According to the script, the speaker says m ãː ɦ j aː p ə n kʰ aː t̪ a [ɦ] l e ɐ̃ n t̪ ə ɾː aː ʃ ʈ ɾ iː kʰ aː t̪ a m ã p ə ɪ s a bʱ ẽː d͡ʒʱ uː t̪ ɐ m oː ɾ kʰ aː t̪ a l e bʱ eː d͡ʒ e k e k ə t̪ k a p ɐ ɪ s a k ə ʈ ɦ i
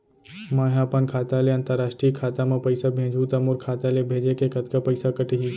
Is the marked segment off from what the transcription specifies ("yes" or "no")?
yes